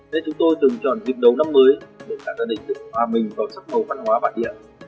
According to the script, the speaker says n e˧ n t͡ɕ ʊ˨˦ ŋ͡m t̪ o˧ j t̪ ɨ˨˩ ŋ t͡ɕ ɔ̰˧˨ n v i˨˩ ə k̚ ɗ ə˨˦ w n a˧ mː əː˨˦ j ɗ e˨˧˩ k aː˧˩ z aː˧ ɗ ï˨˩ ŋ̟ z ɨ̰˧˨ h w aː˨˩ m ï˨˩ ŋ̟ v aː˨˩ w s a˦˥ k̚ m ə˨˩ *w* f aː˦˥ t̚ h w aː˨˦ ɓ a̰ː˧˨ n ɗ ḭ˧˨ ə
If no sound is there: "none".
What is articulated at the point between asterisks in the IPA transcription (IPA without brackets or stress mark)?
w